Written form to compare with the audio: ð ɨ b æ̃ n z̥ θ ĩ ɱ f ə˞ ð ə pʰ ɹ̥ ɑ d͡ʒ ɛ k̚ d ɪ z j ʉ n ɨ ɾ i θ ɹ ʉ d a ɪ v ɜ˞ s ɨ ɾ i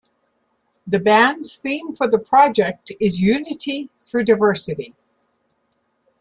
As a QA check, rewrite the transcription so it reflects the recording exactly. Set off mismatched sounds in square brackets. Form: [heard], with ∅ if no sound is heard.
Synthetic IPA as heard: ð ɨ b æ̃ n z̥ θ ĩ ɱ f ə˞ ð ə pʰ ɹ̥ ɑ d͡ʒ ɛ k̚ [t] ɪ z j ʉ n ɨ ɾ i θ ɹ ʉ d a ɪ v ɜ˞ s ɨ ɾ i